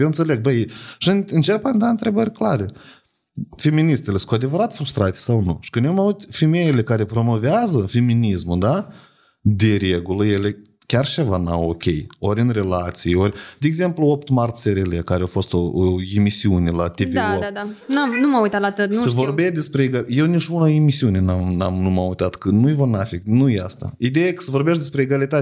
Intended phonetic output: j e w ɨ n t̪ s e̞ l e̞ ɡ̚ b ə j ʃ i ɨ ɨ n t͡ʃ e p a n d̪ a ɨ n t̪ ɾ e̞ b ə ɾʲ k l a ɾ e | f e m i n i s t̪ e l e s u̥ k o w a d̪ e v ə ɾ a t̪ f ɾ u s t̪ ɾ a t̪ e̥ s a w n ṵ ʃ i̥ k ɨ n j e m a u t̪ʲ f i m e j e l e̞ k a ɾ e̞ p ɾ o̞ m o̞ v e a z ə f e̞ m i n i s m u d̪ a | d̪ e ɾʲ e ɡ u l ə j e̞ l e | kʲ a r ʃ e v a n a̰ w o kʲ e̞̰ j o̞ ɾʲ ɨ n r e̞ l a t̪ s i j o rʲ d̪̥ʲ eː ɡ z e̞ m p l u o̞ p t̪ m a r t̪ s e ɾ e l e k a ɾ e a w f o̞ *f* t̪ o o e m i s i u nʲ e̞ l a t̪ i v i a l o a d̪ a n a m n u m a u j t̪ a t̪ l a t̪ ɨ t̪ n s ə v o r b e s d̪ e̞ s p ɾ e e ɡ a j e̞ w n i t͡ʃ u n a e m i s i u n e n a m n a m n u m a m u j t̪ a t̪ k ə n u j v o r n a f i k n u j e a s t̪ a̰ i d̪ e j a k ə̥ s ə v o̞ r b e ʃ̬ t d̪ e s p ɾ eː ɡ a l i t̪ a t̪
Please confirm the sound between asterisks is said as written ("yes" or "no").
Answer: no